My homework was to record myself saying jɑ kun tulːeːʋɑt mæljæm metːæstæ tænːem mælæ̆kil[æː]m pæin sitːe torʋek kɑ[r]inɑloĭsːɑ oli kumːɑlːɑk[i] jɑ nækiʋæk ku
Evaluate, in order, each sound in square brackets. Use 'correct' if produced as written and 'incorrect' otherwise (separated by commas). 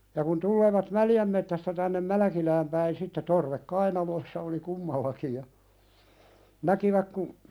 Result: correct, incorrect, correct